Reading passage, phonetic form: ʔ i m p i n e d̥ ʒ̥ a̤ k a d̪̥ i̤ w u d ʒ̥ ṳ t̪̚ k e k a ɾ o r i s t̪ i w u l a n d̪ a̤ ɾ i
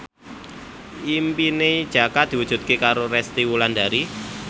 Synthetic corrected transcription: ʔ i m p i n e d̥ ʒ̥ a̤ k a d̪̥ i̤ w u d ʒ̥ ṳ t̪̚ k e k a ɾ o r ɛ s t̪ i w u l a n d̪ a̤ ɾ i

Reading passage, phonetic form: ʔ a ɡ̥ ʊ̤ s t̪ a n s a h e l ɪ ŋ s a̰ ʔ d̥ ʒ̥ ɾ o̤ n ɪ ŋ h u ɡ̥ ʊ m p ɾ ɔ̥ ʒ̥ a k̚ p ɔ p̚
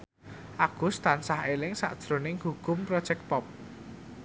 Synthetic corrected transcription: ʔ a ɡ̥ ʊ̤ s t̪ a n s a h e l ɪ ŋ s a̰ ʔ d̥ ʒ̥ ɾ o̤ n ɪ ŋ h u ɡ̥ ʊ m p ɾ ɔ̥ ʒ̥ ɛ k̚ p ɔ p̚

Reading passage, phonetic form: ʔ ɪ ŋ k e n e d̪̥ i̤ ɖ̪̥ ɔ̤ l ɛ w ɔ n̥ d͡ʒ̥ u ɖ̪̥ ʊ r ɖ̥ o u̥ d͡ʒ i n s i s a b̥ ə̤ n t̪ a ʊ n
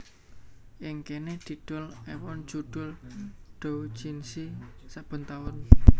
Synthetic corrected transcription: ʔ ɪ ŋ k e n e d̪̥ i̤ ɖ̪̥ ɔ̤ l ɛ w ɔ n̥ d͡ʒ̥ u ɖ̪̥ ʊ l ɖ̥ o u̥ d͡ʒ i n s i s a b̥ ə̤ n t̪ a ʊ n

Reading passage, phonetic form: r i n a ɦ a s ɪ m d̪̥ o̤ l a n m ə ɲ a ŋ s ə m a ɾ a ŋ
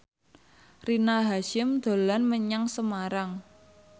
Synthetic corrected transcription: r i n a ɦ a ʃ ɪ m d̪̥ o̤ l a n m ə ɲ a ŋ s ə m a ɾ a ŋ

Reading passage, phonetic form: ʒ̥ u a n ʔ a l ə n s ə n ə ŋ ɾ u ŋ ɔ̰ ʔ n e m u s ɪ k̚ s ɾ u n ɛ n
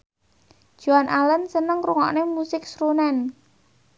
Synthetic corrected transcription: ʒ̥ u a n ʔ a l ə n s ə n ə ŋ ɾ u ŋ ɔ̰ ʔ n e m u s ɪ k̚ s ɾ u n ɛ n

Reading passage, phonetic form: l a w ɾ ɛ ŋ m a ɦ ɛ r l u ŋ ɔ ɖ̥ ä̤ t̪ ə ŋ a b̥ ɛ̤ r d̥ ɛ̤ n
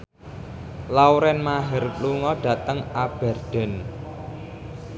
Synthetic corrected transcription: l a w ɾ ɛ n m a ɦ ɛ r l u ŋ ɔ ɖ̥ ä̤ t̪ ə ŋ a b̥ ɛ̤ r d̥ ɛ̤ n

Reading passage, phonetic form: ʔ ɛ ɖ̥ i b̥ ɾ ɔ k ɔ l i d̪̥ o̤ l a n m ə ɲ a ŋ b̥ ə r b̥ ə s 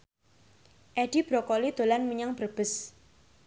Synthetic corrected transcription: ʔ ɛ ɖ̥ i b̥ ɾ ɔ k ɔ l i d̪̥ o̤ l a n m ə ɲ a ŋ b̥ ə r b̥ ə s

